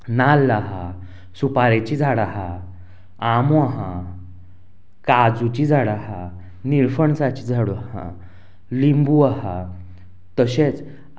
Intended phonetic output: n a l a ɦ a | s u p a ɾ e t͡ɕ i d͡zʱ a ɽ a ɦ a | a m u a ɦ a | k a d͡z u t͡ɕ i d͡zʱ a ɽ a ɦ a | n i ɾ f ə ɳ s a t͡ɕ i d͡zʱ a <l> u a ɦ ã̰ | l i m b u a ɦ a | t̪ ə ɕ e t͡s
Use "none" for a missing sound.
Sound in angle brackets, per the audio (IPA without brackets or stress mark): ɽ